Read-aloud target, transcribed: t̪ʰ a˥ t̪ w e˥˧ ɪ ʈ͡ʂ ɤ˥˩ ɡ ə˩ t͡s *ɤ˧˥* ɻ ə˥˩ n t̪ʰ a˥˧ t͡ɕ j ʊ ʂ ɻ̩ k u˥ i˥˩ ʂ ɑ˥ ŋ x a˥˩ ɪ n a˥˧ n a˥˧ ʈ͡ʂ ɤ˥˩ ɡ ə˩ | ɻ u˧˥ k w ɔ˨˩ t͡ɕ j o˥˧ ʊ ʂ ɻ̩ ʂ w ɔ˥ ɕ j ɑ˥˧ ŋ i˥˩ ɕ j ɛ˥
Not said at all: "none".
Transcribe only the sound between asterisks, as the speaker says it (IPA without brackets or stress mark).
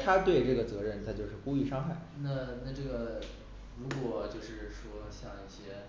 ɤ˧˥